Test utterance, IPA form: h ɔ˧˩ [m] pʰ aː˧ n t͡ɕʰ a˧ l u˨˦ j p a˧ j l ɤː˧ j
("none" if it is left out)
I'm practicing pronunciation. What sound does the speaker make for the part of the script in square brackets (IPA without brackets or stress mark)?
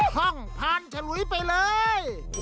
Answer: ŋ